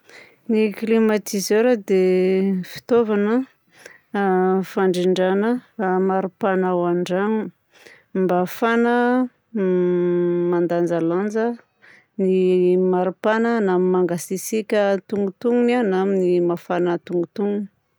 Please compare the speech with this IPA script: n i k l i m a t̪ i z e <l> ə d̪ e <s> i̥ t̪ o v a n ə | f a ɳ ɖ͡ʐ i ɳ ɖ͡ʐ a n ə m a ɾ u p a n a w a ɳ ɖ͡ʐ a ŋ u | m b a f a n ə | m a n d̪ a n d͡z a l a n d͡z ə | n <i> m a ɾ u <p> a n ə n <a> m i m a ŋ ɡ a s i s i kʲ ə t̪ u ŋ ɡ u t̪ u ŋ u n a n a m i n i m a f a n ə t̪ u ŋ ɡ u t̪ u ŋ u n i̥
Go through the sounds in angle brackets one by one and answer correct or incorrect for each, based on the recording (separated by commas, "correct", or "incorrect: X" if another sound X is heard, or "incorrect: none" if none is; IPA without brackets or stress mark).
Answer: incorrect: ɾ, incorrect: f, correct, correct, correct